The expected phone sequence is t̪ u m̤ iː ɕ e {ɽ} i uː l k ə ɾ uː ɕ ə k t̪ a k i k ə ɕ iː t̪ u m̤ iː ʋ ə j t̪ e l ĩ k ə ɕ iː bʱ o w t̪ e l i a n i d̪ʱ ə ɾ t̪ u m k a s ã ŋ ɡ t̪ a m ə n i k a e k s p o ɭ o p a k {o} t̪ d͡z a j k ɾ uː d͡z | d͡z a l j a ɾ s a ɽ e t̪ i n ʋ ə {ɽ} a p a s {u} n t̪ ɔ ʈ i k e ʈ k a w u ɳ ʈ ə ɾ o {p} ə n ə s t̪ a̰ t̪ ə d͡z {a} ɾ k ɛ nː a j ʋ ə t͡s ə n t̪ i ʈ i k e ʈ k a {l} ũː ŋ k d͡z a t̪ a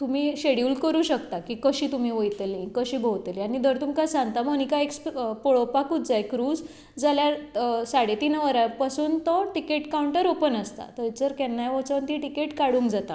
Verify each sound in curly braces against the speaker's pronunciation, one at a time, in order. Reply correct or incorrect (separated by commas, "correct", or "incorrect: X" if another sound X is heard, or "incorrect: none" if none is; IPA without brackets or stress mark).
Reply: correct, incorrect: u, incorrect: ɾ, incorrect: uː, correct, incorrect: ə, incorrect: ɽ